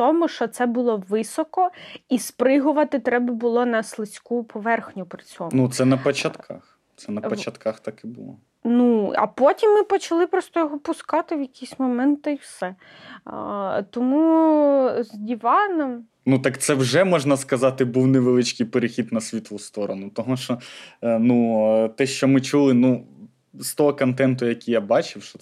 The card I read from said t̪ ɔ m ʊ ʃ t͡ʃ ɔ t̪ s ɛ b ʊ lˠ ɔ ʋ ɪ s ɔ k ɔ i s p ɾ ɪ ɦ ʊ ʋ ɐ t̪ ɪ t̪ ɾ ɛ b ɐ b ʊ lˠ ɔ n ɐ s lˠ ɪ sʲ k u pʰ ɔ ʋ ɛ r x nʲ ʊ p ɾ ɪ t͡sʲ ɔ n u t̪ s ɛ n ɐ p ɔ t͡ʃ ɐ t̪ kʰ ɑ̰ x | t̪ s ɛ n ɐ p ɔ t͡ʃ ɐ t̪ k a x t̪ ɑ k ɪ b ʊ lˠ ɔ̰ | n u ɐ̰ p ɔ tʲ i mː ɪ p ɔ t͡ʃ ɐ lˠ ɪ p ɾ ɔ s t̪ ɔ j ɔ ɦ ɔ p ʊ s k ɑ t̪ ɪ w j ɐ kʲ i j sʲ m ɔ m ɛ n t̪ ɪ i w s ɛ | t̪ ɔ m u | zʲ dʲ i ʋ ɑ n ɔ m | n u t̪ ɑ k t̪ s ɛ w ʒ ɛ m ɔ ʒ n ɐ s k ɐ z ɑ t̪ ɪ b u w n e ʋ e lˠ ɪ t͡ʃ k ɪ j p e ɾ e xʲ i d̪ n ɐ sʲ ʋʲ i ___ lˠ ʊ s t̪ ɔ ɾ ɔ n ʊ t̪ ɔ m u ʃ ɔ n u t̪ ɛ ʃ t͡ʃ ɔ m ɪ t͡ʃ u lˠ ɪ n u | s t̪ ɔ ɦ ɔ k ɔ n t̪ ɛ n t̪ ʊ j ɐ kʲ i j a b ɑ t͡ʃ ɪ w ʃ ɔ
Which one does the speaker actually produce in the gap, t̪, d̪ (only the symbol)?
t̪